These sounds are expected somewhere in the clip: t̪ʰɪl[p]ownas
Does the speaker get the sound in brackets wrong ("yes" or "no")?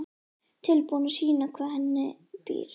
no